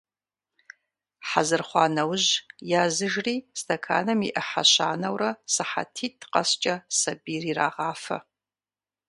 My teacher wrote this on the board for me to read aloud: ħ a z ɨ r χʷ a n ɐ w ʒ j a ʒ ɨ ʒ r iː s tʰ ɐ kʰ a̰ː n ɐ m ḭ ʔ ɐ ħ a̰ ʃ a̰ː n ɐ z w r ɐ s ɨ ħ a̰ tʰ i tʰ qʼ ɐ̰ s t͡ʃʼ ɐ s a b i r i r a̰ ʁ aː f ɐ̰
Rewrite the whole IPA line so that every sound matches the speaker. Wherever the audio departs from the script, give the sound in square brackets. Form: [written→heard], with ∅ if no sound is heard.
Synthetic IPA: ħ a z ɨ r χʷ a n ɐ w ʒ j a [ʒ→z] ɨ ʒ r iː s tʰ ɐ kʰ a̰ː n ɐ m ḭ ʔ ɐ ħ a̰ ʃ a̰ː n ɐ [z→∅] w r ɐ s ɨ ħ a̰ tʰ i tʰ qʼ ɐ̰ s t͡ʃʼ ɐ s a b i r i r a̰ ʁ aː f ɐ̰

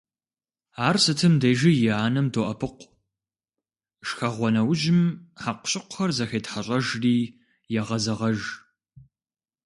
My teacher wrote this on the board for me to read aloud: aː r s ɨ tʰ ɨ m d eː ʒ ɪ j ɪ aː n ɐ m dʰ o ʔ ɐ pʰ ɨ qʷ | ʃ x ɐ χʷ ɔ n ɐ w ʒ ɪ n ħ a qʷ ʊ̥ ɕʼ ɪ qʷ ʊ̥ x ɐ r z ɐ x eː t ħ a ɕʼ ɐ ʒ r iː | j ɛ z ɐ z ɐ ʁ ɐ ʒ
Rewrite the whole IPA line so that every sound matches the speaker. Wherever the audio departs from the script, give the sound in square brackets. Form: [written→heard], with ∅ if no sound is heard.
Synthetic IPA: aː r s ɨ tʰ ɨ m d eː ʒ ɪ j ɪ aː n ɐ m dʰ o ʔ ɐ pʰ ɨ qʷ | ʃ x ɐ [χʷ→ʁʷ] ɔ n ɐ w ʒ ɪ [n→m] ħ a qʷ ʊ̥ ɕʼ ɪ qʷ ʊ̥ x ɐ r z ɐ x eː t ħ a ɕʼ ɐ ʒ r iː | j ɛ [z→ʁ] ɐ z ɐ ʁ ɐ ʒ

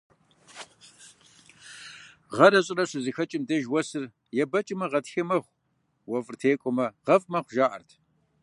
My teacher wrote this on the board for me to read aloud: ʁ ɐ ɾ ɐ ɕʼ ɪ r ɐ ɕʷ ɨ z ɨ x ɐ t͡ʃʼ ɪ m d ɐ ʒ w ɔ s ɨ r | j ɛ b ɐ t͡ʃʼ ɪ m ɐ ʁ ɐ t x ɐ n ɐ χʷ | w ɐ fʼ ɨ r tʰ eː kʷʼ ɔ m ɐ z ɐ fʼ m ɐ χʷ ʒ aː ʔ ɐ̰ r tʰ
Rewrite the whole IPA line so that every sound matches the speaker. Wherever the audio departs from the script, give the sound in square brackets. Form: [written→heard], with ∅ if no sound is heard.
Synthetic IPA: ʁ ɐ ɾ ɐ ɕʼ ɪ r ɐ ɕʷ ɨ z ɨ x ɐ t͡ʃʼ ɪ m d ɐ ʒ w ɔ s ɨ r | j ɛ b ɐ t͡ʃʼ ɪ m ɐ ʁ ɐ t x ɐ [n→m] ɐ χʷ | w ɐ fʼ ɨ r tʰ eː kʷʼ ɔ m ɐ [z→ʁ] ɐ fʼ m ɐ χʷ ʒ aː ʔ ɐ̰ r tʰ

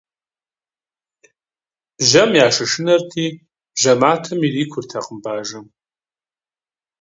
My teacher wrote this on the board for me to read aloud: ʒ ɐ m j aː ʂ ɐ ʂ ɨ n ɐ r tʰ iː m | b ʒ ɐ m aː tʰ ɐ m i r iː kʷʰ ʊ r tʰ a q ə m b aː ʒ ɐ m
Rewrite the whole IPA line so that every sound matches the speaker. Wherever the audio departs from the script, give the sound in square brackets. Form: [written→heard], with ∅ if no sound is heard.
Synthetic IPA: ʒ ɐ m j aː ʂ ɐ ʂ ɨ n ɐ r tʰ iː [m→∅] | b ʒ ɐ m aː tʰ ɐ m i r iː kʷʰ ʊ r tʰ a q ə m b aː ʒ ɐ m

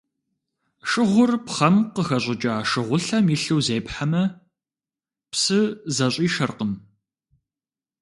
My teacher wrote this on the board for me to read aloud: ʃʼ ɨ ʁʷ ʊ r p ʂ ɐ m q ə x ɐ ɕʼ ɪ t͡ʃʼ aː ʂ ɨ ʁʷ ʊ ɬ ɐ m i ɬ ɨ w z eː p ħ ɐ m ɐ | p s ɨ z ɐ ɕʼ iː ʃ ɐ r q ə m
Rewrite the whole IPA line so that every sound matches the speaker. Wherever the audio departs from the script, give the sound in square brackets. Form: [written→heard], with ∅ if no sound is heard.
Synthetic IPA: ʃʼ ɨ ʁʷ ʊ r p [ʂ→χ] ɐ m q ə x ɐ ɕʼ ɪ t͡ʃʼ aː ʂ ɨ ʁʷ ʊ ɬ ɐ m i ɬ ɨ w z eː p ħ [ɐ→a] m ɐ | p s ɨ z ɐ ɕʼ iː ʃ ɐ r q ə m

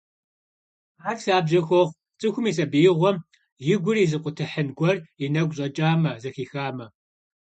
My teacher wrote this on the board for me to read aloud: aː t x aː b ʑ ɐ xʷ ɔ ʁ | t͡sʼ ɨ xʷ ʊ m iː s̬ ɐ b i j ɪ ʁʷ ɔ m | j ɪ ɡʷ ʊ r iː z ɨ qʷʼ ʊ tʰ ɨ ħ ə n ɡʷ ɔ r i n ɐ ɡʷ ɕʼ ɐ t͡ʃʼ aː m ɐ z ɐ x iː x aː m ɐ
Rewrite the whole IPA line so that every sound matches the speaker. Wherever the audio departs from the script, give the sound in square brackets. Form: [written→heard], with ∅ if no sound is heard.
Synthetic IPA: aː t [x→s] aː b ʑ ɐ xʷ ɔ ʁ | t͡sʼ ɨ xʷ ʊ m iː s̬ ɐ b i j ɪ ʁʷ ɔ m | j ɪ ɡʷ ʊ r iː z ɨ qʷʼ ʊ tʰ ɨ ħ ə n ɡʷ ɔ r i n ɐ ɡʷ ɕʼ ɐ t͡ʃʼ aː m ɐ z ɐ x iː x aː m ɐ

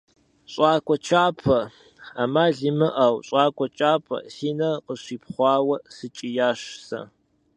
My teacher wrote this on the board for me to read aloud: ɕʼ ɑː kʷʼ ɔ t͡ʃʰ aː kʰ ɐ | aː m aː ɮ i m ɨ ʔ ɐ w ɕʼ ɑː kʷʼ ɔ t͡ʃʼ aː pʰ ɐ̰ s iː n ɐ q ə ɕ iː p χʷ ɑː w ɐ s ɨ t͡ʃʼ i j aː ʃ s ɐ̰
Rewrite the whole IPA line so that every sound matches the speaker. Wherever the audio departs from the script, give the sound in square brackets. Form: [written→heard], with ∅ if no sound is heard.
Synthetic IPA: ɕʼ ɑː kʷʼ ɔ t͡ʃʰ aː [kʰ→pʰ] ɐ | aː m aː ɮ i m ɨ ʔ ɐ w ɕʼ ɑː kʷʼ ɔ t͡ʃʼ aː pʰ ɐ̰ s iː n ɐ q ə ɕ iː p χʷ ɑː w ɐ s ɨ t͡ʃʼ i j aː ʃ s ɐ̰

